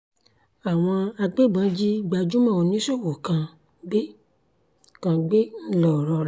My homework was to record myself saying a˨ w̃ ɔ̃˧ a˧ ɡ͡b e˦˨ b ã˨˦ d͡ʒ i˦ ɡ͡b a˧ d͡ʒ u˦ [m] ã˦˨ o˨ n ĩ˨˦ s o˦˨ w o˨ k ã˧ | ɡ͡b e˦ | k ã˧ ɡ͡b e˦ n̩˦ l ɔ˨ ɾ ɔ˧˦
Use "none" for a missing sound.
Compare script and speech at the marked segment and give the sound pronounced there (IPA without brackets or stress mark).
m